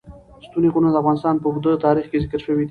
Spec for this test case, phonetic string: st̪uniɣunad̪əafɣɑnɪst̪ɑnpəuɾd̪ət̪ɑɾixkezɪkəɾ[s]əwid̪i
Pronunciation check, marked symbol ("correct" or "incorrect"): incorrect